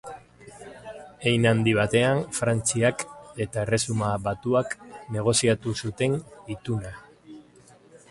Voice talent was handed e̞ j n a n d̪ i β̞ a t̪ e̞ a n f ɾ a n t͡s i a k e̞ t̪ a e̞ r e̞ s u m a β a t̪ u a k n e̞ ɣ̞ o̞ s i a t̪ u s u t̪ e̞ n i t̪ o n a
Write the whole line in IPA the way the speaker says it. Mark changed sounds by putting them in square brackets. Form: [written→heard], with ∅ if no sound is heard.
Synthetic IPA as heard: e̞ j n a n d̪ i β̞ a t̪ e̞ a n f ɾ a n t͡s i a k e̞ t̪ a e̞ r e̞ s u m a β a t̪ u a k n e̞ ɣ̞ o̞ s i a t̪ u s u t̪ e̞ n i t̪ [o→u] n a